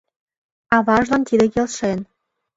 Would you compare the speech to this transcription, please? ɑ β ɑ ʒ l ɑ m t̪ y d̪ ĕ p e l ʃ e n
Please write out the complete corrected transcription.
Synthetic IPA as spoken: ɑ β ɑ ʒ l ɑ n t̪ i d̪ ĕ k e l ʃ e n